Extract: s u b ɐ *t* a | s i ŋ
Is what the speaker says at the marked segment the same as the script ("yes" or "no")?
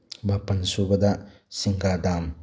no